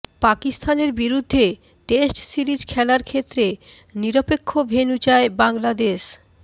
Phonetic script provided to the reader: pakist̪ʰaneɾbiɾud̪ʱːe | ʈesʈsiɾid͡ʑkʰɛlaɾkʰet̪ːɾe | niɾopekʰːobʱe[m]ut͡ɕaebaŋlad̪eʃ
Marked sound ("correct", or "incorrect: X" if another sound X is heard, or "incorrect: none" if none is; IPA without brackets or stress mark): incorrect: n